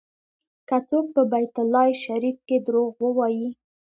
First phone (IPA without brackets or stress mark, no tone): k